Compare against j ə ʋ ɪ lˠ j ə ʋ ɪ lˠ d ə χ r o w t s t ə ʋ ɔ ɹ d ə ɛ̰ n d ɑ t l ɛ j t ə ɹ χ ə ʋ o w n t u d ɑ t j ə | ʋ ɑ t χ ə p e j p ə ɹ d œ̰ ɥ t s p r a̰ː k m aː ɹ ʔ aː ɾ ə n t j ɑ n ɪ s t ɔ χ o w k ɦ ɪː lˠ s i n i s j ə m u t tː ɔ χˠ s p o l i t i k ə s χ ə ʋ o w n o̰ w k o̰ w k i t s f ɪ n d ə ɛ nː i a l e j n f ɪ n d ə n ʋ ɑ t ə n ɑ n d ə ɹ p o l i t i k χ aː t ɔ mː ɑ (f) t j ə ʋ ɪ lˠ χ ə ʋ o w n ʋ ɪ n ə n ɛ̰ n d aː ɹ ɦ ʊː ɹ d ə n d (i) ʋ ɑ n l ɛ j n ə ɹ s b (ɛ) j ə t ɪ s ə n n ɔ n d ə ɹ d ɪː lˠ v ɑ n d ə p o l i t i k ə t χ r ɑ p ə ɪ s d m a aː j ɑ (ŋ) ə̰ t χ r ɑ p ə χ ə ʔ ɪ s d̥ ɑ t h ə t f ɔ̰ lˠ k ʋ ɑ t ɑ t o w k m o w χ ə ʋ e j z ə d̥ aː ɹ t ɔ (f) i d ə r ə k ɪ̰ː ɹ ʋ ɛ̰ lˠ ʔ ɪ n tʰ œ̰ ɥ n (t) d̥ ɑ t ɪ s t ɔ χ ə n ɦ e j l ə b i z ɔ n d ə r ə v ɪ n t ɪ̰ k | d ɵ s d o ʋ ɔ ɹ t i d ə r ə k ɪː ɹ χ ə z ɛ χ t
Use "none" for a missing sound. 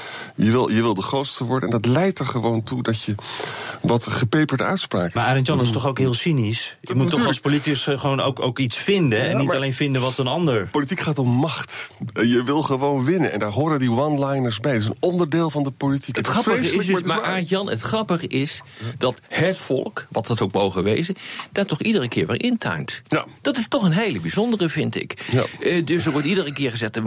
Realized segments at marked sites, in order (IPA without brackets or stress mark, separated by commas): χ, i, ɛ, n, χ, t